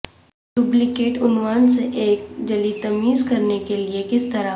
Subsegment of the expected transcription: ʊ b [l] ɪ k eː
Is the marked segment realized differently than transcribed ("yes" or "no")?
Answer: no